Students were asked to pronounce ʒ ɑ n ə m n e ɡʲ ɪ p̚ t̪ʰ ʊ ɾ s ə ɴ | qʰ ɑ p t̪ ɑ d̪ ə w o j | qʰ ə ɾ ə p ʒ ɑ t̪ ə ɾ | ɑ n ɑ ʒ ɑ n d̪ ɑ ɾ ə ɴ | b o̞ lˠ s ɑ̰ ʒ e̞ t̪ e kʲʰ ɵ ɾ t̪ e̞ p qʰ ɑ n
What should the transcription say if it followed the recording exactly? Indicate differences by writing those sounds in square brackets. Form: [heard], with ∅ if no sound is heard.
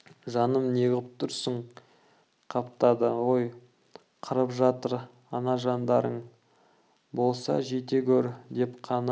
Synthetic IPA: ʒ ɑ n ə m n e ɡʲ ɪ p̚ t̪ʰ ʊ ɾ s ə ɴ | qʰ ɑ p t̪ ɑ d̪ ə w o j | qʰ ə ɾ ə p ʒ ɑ t̪ ə ɾ | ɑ n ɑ ʒ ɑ n d̪ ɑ ɾ ə ɴ | b o̞ lˠ s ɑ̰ ʒ e̞ t̪ e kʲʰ ɵ ɾ [d̪] e̞ p qʰ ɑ n